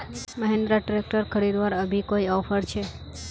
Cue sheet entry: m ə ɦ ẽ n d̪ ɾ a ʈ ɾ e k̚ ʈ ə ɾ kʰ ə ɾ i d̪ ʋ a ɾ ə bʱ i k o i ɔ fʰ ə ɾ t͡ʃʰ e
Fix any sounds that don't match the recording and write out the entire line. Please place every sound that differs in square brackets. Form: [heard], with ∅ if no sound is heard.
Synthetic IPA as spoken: m ə ɦ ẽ n d̪ ɾ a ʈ ɾ e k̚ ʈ ə ɾ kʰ ə ɾ i d̪ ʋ a ɾ ə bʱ i k o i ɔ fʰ ə ɾ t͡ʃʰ e